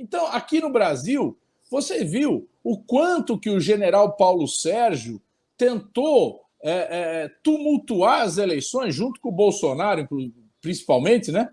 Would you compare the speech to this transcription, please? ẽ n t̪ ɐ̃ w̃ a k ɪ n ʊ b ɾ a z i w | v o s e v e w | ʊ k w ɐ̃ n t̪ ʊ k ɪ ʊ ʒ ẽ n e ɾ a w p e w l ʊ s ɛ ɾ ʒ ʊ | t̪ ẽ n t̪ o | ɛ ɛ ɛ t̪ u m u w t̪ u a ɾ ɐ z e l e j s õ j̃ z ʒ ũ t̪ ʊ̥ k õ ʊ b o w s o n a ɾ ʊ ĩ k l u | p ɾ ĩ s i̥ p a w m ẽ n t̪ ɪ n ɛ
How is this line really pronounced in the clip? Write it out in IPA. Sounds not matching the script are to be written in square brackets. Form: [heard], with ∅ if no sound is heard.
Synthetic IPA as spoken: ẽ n t̪ ɐ̃ w̃ a k [i] n ʊ b ɾ a z i w | v o s e v [i] w | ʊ k w ɐ̃ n t̪ ʊ k ɪ ʊ ʒ [e] n e ɾ a w p [a] w l ʊ s ɛ ɾ ʒ ʊ | t̪ ẽ n t̪ o | ɛ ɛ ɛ t̪ u m u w t̪ u a ɾ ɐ z e l e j s õ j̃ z ʒ ũ t̪ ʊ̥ k õ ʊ b o w s o n a ɾ ʊ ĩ k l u | p ɾ ĩ s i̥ p a w m ẽ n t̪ ɪ n ɛ

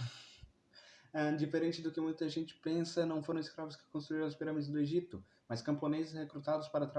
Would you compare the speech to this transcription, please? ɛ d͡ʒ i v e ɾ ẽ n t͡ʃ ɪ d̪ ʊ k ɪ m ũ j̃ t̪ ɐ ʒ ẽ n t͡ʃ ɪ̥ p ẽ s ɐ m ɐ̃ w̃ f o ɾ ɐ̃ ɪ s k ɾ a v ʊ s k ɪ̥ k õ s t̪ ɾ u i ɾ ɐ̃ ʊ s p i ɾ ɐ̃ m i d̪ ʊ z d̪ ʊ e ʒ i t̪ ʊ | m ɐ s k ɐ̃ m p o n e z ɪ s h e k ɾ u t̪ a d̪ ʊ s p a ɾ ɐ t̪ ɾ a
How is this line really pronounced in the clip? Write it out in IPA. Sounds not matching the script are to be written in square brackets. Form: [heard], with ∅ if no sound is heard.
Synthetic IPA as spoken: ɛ d͡ʒ i [f] e ɾ ẽ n t͡ʃ ɪ d̪ ʊ k ɪ m ũ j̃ t̪ ɐ ʒ ẽ n t͡ʃ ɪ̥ p ẽ s ɐ [n] ɐ̃ w̃ f o ɾ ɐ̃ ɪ s k ɾ a v ʊ s k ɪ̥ k õ s t̪ ɾ u i ɾ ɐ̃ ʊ s p i ɾ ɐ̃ m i d̪ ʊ z d̪ ʊ e ʒ i t̪ ʊ | m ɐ s k ɐ̃ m p o n e z ɪ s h e k ɾ u t̪ a d̪ ʊ s p a ɾ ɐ t̪ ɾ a

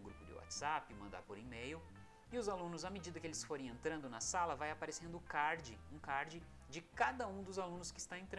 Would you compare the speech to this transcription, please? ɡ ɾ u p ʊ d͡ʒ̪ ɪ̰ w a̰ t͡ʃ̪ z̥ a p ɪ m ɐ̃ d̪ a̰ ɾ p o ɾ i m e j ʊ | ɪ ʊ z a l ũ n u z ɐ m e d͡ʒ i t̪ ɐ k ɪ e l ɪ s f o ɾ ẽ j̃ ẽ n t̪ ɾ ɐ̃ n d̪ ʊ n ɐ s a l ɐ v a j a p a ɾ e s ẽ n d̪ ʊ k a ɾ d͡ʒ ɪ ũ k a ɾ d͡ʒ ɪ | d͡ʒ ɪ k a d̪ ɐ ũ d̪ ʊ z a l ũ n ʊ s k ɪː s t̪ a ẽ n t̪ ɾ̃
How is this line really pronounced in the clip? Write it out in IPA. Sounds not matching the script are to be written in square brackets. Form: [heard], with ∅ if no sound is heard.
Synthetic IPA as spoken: ɡ ɾ u p ʊ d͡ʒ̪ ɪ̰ w a̰ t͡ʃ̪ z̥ a p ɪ m ɐ̃ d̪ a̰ ɾ p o ɾ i m e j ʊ | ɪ ʊ z a l ũ n [ʊ] z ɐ m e d͡ʒ i [d̪] ɐ k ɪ e l ɪ s f o ɾ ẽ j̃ ẽ n t̪ ɾ ɐ̃ n d̪ ʊ n ɐ s a l ɐ v a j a p a ɾ e s ẽ n d̪ ʊ k a ɾ d͡ʒ ɪ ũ k a ɾ d͡ʒ ɪ | d͡ʒ ɪ k a d̪ ɐ ũ d̪ ʊ z a l ũ n ʊ s k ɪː s t̪ a ẽ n t̪ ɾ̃

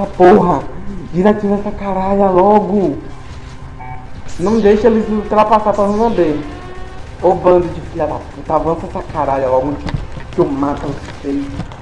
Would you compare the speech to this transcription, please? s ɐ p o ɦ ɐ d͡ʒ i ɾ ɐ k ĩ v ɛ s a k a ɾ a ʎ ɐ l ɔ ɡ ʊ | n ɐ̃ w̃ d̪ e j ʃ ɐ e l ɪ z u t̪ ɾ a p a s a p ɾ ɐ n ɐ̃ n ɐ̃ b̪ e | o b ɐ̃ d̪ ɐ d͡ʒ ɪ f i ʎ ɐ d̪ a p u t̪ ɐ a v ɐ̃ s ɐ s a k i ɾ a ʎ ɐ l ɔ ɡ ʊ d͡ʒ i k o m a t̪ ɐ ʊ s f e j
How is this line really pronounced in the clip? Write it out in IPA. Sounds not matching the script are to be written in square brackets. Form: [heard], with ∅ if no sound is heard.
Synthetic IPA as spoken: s ɐ p o ɦ ɐ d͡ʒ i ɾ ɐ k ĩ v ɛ s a k a ɾ a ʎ ɐ l ɔ ɡ ʊ | n ɐ̃ w̃ d̪ e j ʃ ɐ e l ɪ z u t̪ ɾ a p a s a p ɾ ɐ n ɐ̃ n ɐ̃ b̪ e | o b ɐ̃ d̪ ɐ d͡ʒ ɪ f i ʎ ɐ d̪ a p u t̪ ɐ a v ɐ̃ s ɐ s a k [a] ɾ a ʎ ɐ l ɔ ɡ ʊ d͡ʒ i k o m a t̪ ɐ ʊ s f e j

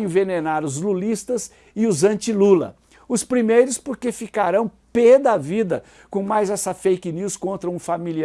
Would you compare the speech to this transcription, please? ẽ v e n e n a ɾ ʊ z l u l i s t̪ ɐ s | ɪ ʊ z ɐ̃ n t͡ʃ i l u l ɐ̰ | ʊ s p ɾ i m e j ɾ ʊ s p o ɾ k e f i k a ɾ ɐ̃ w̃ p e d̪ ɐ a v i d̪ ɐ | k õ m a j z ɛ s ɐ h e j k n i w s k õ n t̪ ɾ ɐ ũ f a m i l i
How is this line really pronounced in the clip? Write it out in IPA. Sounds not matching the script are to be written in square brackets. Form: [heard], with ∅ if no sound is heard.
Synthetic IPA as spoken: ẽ v e n e n a ɾ ʊ z l u l i s t̪ ɐ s | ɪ ʊ z ɐ̃ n t͡ʃ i l u l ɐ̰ | ʊ s p ɾ i m e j ɾ ʊ s p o ɾ k e f i k a ɾ ɐ̃ w̃ p e d̪ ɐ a v i d̪ ɐ | k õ m a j z ɛ s ɐ [f] e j k n i w s k õ n t̪ ɾ ɐ ũ f a m i l i

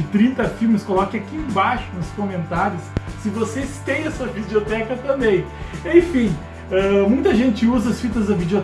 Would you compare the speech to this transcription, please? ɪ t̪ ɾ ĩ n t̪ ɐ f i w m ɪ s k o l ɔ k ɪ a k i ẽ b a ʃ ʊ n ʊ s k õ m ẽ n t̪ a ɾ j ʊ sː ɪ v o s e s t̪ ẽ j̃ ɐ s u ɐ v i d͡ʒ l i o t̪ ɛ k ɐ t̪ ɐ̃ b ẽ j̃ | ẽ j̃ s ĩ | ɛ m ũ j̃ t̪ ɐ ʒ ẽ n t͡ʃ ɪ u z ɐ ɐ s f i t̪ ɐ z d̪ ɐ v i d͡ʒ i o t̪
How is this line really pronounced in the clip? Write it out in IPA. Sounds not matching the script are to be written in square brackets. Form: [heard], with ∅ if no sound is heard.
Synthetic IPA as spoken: ɪ t̪ ɾ ĩ n t̪ ɐ f i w m ɪ s k o l ɔ k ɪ a k i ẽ b a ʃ ʊ n ʊ s k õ m ẽ n t̪ a ɾ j ʊ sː ɪ v o s e s t̪ ẽ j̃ ɐ s u ɐ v i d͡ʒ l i o t̪ ɛ k ɐ t̪ ɐ̃ b ẽ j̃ | ẽ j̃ [f] ĩ | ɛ m ũ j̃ t̪ ɐ ʒ ẽ n t͡ʃ ɪ u z ɐ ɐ s f i t̪ ɐ z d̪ ɐ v i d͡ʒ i o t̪

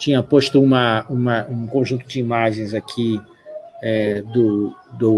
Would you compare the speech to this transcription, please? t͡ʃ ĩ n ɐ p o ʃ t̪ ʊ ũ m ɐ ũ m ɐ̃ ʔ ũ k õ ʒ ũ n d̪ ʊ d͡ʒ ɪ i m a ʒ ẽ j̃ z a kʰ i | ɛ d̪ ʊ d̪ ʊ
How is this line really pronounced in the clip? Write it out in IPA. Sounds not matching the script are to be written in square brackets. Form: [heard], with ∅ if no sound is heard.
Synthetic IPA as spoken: t͡ʃ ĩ [ɲ] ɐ p o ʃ t̪ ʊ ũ m ɐ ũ m [ɐ] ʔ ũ k õ ʒ ũ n [t̪] ʊ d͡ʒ ɪ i m a ʒ ẽ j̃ z a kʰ i | ɛ d̪ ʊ d̪ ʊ

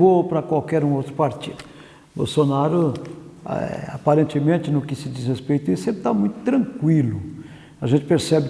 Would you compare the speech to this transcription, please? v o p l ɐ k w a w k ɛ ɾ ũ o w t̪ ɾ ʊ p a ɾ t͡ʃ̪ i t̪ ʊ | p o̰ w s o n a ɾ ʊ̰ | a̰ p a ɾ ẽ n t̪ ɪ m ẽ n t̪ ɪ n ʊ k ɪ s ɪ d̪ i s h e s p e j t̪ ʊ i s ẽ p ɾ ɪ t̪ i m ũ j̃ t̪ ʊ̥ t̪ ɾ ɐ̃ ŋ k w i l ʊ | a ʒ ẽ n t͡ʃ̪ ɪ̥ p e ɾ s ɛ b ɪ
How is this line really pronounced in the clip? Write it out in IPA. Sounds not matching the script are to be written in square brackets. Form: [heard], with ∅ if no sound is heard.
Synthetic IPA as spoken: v o p [ɾ] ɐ k w a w k ɛ ɾ ũ o w t̪ ɾ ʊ p a ɾ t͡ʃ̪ i [d̪] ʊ | [b] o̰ w s o n a ɾ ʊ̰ | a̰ p a ɾ ẽ n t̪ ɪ m ẽ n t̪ ɪ n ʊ k ɪ s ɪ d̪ i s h e s p e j t̪ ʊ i s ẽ p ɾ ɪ t̪ [a] m ũ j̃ t̪ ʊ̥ t̪ ɾ ɐ̃ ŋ k w i l ʊ | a ʒ ẽ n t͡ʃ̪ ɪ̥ p e ɾ s ɛ b ɪ

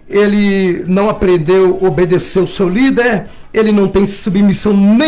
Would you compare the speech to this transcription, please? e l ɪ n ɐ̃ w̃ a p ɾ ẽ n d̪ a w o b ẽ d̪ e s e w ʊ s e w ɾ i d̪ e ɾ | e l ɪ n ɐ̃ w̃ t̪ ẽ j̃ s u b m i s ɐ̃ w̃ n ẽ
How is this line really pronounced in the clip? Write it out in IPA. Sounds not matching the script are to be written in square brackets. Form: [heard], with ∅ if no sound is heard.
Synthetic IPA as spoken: e l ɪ n ɐ̃ w̃ a p ɾ ẽ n d̪ [e] w o b [e] d̪ e s e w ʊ s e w [l] i d̪ e ɾ | e l ɪ n ɐ̃ w̃ t̪ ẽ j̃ s u b m i s ɐ̃ w̃ n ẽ

